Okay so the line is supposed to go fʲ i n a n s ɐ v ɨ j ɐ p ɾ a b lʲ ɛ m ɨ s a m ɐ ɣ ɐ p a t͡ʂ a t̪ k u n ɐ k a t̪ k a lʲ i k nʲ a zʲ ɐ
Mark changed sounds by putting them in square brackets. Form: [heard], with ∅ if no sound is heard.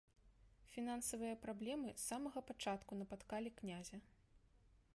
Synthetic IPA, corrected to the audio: fʲ i n a n s ɐ v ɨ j ɐ p ɾ a b lʲ ɛ m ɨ s a m ɐ ɣ ɐ p a t͡ʂ a t̪ k u n ɐ [p] a t̪ k a lʲ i k nʲ a zʲ ɐ